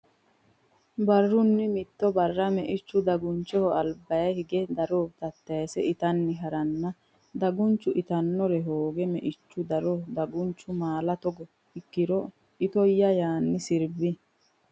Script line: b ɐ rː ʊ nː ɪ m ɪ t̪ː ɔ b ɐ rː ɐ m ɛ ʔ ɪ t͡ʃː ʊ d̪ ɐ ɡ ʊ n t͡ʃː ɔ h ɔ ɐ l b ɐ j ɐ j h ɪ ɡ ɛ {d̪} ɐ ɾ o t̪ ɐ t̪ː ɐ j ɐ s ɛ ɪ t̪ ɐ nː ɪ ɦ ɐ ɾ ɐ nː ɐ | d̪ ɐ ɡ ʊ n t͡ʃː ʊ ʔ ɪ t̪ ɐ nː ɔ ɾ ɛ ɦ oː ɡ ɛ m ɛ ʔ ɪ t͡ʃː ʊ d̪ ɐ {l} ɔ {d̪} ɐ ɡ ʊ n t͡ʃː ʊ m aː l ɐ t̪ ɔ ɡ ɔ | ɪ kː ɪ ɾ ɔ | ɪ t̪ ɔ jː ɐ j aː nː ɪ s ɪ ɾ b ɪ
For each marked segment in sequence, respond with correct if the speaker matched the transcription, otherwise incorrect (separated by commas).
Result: correct, incorrect, correct